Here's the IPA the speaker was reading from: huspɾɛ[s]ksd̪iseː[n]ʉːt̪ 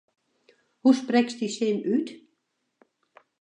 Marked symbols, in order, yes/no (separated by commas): no, yes